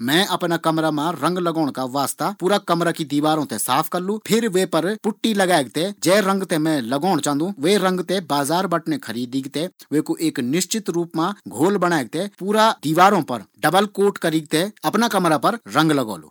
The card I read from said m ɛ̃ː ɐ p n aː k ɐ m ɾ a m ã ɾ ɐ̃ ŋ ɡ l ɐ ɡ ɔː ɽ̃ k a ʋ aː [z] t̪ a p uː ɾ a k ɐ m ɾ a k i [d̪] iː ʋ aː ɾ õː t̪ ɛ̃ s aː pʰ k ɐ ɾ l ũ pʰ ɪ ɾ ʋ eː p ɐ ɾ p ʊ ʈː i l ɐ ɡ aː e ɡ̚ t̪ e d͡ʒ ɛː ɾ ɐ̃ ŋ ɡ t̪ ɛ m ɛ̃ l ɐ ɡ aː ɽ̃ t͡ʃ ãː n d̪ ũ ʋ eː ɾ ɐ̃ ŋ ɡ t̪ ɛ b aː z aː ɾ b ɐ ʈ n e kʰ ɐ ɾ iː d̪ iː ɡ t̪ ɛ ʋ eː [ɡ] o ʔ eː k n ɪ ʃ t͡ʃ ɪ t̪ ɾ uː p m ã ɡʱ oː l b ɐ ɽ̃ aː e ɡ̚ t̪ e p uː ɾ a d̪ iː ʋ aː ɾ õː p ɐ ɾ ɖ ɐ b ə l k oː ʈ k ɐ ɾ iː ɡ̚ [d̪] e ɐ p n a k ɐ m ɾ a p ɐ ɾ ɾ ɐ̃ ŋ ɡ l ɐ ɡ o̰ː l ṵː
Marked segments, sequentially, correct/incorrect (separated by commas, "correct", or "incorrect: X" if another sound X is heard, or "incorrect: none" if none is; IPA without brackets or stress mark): incorrect: s, correct, incorrect: k, incorrect: t̪